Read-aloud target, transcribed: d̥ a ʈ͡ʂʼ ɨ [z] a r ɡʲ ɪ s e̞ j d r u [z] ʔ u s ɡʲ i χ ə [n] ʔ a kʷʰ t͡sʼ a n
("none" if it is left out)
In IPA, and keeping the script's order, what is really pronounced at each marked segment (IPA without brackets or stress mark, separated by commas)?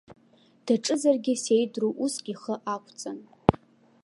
z, none, none